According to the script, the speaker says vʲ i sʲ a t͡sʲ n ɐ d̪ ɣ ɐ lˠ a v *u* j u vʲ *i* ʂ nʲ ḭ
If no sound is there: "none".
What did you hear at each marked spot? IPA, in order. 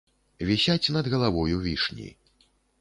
ɔ, i

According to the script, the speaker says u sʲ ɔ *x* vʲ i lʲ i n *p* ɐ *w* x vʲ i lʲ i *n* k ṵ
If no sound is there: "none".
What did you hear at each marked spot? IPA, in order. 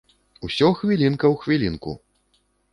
x, k, w, n

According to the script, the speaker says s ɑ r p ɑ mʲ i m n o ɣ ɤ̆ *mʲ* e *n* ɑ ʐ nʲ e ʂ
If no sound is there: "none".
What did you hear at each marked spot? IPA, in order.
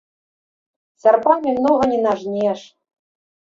nʲ, n

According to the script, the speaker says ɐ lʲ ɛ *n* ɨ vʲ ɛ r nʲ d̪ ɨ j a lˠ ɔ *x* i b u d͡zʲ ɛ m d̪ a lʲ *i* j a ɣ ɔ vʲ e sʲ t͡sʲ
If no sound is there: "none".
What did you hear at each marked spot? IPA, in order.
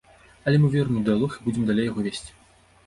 m, x, e

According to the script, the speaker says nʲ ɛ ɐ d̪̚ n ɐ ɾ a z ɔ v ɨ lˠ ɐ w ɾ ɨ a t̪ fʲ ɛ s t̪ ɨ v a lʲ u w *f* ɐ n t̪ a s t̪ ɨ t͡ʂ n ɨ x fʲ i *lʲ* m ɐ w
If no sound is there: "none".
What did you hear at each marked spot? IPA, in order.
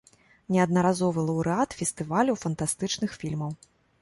f, lʲ

